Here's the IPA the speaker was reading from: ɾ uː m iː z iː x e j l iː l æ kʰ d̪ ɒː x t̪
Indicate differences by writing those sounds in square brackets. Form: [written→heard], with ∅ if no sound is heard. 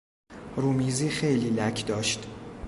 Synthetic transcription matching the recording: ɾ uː m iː z iː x e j l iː l æ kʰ d̪ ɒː [x→ʃ] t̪